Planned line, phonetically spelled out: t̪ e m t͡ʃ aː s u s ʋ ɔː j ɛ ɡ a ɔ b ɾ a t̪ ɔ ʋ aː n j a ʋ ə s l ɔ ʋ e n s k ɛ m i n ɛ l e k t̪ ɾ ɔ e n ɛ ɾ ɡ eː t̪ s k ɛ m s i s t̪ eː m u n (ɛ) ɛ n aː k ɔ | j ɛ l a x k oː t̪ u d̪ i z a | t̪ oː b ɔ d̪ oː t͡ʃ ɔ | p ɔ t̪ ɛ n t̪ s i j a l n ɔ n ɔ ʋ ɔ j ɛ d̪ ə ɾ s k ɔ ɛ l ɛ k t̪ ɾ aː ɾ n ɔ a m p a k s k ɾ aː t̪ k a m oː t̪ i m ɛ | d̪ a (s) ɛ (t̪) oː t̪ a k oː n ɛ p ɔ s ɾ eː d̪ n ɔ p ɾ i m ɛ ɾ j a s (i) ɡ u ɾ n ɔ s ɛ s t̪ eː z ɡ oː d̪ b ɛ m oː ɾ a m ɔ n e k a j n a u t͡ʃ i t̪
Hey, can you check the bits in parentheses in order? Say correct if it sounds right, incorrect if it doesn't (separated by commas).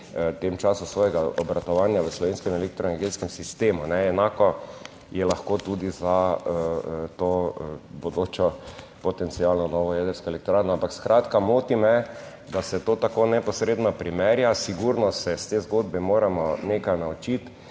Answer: correct, correct, correct, correct